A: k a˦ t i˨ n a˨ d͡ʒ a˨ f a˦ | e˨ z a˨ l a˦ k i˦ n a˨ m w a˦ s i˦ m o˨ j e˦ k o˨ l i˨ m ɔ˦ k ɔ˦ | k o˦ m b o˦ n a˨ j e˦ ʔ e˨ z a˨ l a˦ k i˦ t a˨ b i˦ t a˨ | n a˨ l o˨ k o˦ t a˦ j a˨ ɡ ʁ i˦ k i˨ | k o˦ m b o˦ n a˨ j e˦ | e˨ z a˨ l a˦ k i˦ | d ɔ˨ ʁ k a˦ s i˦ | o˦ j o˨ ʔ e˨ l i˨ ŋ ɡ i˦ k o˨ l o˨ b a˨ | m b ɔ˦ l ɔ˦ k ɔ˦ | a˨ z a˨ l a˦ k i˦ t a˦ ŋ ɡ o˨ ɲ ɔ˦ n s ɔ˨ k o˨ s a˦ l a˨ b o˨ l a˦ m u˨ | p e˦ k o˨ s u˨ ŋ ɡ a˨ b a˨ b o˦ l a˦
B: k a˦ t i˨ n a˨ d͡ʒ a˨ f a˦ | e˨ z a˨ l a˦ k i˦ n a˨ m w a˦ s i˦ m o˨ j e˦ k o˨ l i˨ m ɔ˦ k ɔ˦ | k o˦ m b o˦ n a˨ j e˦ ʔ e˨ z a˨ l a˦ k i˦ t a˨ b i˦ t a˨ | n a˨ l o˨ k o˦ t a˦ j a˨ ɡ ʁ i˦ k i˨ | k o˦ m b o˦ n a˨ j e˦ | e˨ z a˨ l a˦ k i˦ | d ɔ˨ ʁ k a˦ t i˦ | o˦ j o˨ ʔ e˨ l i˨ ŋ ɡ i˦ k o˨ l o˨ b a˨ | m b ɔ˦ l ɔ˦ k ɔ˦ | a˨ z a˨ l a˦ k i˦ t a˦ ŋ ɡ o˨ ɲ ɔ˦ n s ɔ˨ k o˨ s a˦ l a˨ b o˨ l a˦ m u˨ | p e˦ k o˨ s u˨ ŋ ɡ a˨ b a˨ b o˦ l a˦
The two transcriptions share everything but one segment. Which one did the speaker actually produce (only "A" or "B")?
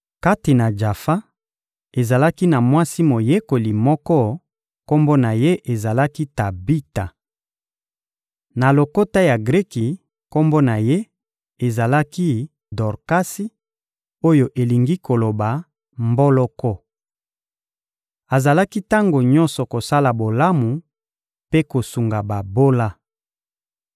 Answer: A